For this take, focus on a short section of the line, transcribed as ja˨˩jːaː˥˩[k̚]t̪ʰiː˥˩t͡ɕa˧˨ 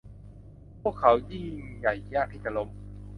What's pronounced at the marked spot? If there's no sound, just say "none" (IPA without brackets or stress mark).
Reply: k̚